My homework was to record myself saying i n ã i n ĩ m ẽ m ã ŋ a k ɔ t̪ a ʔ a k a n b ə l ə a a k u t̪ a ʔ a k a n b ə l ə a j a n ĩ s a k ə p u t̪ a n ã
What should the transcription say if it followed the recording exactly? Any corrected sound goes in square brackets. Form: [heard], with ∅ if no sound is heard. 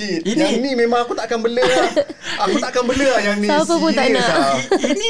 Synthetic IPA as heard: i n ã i n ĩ m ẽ m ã ŋ a k [u] t̪ a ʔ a k a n b ə l ə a a k u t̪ a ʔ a k a n b ə l ə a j a n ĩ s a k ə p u t̪ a n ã